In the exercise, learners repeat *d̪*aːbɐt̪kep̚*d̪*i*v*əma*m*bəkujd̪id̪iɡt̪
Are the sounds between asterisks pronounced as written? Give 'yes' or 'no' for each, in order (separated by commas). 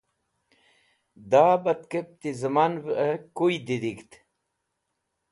yes, no, no, no